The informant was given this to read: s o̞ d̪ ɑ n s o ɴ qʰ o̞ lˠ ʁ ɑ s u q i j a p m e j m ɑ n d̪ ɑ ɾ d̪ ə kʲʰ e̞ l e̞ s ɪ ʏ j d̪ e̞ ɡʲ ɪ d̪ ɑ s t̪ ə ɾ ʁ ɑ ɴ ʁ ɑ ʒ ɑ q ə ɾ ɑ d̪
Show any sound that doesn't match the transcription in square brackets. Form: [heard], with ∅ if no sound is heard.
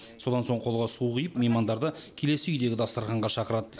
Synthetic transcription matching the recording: s o̞ d̪ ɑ n s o ɴ qʰ o̞ lˠ ʁ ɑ s u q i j [ə] p m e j m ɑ n d̪ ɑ ɾ d̪ ə kʲʰ e̞ l e̞ s ɪ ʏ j d̪ e̞ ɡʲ ɪ d̪ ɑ s t̪ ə ɾ ʁ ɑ ɴ ʁ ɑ [ʃ] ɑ q ə ɾ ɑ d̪